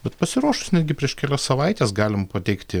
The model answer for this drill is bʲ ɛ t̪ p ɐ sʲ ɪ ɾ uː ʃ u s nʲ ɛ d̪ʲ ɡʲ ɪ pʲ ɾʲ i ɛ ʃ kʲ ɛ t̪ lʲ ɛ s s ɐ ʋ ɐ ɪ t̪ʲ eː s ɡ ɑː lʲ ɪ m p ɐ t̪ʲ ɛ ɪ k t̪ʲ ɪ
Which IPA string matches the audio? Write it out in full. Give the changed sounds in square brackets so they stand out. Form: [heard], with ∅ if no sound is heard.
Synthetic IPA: bʲ ɛ t̪ p ɐ sʲ ɪ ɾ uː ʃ [ʊ] s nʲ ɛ d̪ʲ ɡʲ ɪ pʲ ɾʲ i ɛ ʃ kʲ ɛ [∅] lʲ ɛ s s ɐ ʋ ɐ ɪ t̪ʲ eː s ɡ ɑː lʲ ɪ m p ɐ t̪ʲ ɛ ɪ k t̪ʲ ɪ

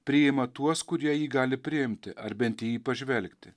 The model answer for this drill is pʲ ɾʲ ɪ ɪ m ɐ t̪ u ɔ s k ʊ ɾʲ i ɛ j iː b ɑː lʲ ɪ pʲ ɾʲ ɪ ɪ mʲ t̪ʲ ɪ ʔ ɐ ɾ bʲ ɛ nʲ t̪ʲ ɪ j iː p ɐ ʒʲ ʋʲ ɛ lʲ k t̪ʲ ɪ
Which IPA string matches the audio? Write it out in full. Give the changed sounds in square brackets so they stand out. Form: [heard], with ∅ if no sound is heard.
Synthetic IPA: pʲ ɾʲ ɪ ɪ m ɐ t̪ u ɔ s k ʊ ɾʲ i ɛ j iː [ɡ] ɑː lʲ ɪ pʲ ɾʲ ɪ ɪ mʲ t̪ʲ ɪ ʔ ɐ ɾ bʲ ɛ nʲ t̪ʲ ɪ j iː p ɐ ʒʲ ʋʲ ɛ lʲ k t̪ʲ ɪ

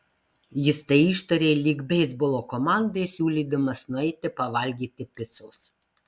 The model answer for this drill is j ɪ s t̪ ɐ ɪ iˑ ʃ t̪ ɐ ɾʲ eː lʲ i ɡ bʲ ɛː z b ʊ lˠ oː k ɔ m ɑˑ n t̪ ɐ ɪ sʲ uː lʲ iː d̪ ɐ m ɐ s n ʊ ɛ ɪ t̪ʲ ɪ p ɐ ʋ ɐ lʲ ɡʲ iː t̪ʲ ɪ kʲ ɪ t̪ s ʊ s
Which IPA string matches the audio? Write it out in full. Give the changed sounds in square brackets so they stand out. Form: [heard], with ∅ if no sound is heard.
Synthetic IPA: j ɪ s t̪ ɐ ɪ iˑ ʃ t̪ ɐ ɾʲ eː lʲ i ɡ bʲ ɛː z b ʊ lˠ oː k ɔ m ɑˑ n [d̪] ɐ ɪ sʲ uː lʲ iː d̪ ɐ m ɐ s n ʊ ɛ ɪ t̪ʲ ɪ p ɐ ʋ ɐ lʲ ɡʲ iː t̪ʲ ɪ [pʲ] ɪ t̪ s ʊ s

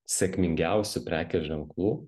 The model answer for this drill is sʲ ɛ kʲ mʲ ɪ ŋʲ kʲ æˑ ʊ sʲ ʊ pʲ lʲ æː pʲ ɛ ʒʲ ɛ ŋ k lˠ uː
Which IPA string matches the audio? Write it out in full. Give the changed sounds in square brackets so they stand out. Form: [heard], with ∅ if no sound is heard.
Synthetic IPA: sʲ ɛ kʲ mʲ ɪ ŋʲ [ɡʲ] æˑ ʊ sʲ ʊ pʲ [ɾʲ] æː [kʲ] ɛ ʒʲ ɛ ŋ k lˠ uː

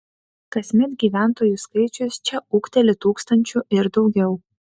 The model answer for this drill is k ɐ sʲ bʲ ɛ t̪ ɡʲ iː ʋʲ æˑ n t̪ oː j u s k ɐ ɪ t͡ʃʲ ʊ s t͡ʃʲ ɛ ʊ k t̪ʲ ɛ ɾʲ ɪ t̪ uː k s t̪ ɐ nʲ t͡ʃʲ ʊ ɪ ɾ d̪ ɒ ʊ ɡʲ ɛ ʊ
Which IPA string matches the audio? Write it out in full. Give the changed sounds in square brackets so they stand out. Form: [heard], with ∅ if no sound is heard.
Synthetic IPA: k ɐ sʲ [mʲ] ɛ t̪ ɡʲ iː ʋʲ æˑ n t̪ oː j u s k ɐ ɪ t͡ʃʲ ʊ s t͡ʃʲ ɛ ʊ k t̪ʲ ɛ [lʲ] ɪ t̪ uː k s t̪ ɐ nʲ t͡ʃʲ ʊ ɪ ɾ d̪ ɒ ʊ ɡʲ ɛ ʊ

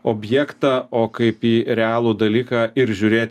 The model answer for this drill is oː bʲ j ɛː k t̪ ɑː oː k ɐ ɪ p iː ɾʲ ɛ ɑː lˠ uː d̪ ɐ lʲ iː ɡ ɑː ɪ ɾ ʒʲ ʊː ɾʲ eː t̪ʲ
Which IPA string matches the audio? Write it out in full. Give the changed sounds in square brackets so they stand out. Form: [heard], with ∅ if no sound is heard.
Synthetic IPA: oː bʲ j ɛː k t̪ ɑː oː k ɐ ɪ p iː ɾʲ ɛ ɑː lˠ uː d̪ ɐ lʲ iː [k] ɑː ɪ ɾ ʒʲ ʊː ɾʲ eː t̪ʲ

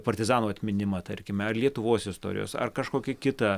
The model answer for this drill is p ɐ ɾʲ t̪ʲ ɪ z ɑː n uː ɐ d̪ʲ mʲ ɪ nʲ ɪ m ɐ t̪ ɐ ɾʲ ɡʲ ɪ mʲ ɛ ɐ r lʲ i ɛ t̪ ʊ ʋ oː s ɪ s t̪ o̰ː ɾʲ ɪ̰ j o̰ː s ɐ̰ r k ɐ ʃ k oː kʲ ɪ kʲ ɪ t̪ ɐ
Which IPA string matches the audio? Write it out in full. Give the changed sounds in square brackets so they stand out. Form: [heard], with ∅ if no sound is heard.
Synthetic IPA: p ɐ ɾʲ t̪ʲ ɪ z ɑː n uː ɐ [t̪ʲ] mʲ ɪ nʲ ɪ m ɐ t̪ ɐ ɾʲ [kʲ] ɪ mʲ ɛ ɐ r lʲ i ɛ t̪ ʊ ʋ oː s ɪ s t̪ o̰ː ɾʲ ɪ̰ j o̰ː s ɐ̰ r k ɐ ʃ k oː kʲ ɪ kʲ ɪ t̪ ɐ

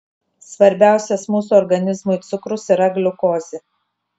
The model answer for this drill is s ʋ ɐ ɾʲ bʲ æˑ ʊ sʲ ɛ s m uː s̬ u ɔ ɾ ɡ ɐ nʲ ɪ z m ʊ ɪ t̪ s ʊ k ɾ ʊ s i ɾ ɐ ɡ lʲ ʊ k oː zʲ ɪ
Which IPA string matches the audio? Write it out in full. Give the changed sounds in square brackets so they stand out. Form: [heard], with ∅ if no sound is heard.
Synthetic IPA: s ʋ ɐ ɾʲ bʲ æˑ ʊ sʲ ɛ s m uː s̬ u ɔ ɾ ɡ ɐ nʲ ɪ z m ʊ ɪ t̪ s ʊ k ɾ ʊ s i ɾ ɐ ɡ lʲ ʊ k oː zʲ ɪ

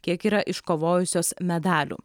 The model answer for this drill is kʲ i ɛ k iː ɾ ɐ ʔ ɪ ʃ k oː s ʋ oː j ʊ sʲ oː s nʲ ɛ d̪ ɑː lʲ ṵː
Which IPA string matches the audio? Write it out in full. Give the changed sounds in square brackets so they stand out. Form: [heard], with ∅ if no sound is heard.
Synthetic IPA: kʲ i ɛ k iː ɾ ɐ ʔ ɪ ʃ k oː [∅] ʋ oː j ʊ sʲ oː s [mʲ] ɛ d̪ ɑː lʲ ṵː

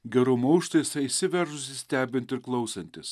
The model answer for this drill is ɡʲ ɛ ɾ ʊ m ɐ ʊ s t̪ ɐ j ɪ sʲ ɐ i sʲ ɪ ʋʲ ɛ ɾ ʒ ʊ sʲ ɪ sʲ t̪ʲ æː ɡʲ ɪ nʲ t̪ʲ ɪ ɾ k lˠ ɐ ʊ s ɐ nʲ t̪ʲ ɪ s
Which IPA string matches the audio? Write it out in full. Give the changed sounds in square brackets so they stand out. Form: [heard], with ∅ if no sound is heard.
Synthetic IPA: ɡʲ ɛ ɾ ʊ m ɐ ʊ [ʃ] t̪ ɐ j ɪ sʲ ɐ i sʲ ɪ ʋʲ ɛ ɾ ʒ ʊ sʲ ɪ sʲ t̪ʲ æː [bʲ] ɪ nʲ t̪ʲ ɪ ɾ k lˠ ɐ ʊ s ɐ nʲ t̪ʲ ɪ s

